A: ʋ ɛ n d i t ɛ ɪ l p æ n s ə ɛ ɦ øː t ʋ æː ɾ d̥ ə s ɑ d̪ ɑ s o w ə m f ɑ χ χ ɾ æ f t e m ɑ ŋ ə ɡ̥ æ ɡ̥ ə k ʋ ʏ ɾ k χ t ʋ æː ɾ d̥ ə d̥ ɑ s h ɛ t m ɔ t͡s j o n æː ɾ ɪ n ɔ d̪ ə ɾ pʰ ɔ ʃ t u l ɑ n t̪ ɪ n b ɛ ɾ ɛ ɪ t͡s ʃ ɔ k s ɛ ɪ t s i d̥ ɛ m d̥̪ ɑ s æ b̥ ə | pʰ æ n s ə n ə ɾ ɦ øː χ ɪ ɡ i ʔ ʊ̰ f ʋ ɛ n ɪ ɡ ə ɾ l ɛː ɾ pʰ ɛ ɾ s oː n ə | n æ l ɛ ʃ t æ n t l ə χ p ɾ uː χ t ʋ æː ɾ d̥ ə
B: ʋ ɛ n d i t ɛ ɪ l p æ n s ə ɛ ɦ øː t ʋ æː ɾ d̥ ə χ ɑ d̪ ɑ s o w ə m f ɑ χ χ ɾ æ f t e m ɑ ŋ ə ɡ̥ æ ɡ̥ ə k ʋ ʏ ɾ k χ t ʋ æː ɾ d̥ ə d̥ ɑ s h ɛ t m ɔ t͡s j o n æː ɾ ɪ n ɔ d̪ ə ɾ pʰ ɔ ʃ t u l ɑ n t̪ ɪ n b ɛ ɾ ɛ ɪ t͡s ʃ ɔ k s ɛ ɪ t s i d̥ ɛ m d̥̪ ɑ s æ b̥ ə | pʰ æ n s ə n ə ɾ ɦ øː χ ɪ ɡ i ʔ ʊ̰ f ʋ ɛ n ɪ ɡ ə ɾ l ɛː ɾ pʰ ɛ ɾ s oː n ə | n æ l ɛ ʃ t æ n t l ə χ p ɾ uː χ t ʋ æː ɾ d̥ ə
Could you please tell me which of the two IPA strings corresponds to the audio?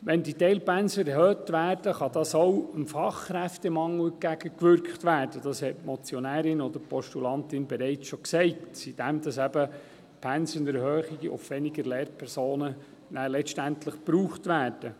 B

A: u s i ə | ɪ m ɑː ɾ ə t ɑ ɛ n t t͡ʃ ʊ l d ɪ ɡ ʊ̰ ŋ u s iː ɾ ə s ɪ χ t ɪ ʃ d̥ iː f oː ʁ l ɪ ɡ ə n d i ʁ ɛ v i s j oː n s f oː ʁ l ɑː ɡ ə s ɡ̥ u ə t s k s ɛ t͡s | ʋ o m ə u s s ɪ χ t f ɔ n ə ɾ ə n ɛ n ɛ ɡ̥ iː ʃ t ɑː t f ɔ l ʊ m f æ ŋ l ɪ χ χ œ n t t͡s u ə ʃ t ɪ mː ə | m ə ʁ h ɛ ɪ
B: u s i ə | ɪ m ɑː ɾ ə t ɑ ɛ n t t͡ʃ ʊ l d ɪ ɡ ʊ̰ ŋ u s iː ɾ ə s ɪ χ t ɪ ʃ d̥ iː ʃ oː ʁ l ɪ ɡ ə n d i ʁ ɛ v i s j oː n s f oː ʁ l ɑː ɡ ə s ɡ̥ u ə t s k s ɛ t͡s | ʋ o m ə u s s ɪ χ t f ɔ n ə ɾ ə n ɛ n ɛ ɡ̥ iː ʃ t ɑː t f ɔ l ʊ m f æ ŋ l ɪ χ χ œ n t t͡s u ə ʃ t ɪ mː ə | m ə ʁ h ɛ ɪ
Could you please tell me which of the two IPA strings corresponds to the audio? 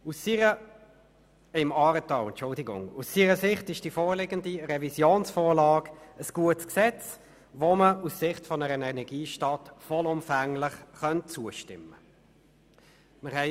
A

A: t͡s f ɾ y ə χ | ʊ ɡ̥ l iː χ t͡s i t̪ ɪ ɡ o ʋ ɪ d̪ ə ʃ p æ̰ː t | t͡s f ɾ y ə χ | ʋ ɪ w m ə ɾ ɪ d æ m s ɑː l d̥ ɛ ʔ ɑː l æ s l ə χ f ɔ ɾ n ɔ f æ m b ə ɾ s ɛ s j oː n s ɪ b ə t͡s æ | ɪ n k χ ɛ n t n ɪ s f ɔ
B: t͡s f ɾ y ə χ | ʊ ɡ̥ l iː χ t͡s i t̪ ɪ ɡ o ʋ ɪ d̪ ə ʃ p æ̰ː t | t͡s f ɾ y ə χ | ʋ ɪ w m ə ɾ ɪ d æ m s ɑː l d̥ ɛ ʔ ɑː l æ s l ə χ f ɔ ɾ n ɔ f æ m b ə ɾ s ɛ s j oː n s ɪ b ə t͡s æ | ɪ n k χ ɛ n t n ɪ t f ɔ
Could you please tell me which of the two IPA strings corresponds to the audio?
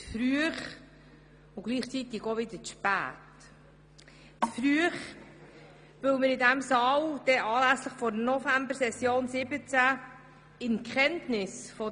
A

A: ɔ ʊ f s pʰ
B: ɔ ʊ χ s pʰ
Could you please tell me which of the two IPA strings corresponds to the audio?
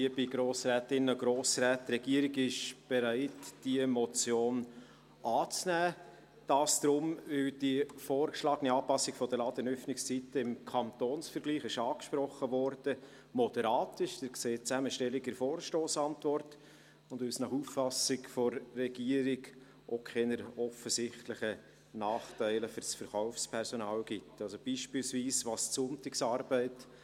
A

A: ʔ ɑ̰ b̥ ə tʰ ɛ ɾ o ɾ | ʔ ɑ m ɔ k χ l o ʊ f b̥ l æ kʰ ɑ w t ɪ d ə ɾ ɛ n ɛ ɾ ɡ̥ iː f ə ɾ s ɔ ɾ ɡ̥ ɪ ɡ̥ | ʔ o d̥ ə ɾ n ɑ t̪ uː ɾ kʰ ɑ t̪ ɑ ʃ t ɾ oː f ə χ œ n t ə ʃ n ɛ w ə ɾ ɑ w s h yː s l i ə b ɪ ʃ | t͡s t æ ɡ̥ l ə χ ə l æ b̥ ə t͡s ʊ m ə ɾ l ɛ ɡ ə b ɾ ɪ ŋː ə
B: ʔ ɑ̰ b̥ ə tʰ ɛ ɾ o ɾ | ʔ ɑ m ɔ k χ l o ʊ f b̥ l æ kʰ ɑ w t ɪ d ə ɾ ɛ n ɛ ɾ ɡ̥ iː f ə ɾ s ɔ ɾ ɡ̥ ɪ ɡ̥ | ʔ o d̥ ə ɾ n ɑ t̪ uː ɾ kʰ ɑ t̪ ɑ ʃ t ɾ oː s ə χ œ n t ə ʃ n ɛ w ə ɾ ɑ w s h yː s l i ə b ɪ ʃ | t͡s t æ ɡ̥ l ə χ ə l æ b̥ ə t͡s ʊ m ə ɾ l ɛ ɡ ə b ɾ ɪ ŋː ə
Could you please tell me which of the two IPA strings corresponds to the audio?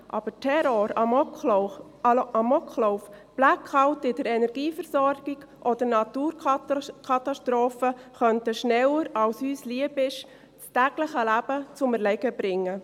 A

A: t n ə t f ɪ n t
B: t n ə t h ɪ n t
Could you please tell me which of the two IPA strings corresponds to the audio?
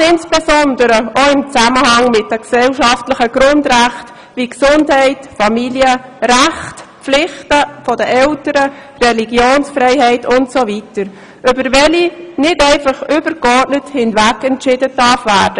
B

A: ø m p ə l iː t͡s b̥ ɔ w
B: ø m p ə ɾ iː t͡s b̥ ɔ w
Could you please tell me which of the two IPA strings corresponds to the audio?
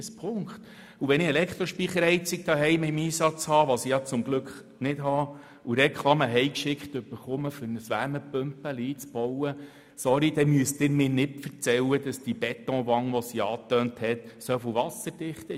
A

